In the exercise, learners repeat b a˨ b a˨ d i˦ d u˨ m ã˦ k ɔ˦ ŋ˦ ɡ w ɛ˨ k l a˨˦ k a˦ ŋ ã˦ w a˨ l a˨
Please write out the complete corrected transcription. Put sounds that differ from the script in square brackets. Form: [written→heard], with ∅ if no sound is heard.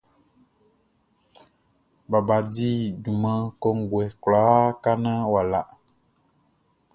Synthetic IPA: b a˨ b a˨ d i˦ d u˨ m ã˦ k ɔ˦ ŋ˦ ɡ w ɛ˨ k l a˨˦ k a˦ [ŋ→n] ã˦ w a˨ l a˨